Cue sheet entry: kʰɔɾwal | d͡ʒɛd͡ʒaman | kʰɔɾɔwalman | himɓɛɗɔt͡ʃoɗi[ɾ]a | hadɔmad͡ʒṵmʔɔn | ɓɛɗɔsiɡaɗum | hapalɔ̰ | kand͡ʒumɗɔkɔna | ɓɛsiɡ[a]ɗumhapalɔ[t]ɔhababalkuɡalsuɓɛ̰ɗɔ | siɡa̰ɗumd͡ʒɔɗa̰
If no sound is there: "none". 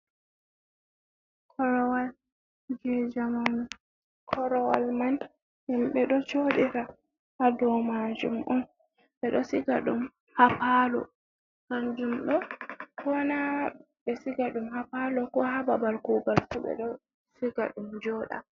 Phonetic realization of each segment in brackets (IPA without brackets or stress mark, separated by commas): ɾ, a, k